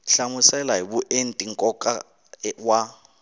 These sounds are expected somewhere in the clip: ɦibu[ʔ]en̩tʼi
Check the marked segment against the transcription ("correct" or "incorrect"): correct